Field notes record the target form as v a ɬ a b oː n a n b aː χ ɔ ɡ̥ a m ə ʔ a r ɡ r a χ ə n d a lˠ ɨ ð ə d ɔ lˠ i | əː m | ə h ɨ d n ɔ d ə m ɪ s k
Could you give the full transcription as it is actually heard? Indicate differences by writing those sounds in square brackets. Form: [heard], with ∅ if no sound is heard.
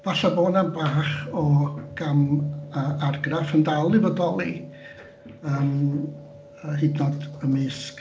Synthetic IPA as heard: v a ɬ a b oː n a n b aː χ ɔ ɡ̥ a m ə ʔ a r ɡ r a [f] ə n d a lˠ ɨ [v] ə d ɔ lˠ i | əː m | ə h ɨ d n ɔ d ə m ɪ s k